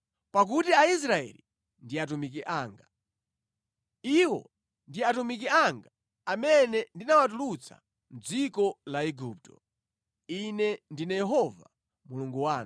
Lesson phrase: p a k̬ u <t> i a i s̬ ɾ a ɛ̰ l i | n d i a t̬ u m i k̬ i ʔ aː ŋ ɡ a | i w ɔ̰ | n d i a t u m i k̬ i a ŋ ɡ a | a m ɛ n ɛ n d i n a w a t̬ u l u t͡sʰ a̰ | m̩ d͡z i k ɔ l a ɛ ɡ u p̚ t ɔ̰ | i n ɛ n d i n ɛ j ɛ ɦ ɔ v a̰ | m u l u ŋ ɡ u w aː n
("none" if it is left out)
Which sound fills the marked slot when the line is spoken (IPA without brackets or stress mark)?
t